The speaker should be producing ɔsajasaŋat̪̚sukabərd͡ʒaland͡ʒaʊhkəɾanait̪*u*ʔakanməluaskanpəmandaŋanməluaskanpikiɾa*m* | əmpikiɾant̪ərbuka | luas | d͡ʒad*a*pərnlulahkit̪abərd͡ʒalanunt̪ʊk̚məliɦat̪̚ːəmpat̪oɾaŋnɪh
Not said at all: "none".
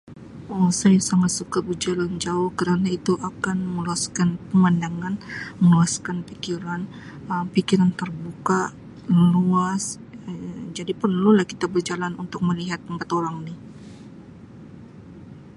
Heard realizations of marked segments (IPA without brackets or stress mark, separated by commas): u, n, i